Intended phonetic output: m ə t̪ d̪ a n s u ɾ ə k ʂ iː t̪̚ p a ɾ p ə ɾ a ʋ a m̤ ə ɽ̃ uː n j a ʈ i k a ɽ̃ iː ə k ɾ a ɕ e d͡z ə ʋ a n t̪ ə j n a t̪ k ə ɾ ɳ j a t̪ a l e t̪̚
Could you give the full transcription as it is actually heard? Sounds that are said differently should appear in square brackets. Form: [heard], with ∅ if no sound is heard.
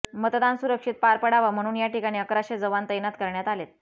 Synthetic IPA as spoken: m ə t̪ d̪ a n s u ɾ ə k ʂ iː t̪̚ p a ɾ p ə [ɽ] a ʋ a m̤ ə ɽ̃ uː n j a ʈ i k a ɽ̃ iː ə k ɾ a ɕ e d͡z ə ʋ a n t̪ ə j n a t̪ k ə ɾ ɳ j a t̪ a l e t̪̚